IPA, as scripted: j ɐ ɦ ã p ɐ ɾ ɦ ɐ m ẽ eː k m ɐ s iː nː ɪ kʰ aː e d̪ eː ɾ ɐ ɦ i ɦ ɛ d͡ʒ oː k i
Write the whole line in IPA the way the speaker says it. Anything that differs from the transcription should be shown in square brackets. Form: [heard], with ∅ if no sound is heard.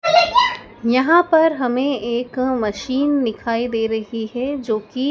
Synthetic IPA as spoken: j ɐ ɦ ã p ɐ ɾ ɦ ɐ m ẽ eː k m ɐ [ʃ] iː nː ɪ kʰ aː [i] d̪ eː ɾ ɐ ɦ i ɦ ɛ d͡ʒ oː k i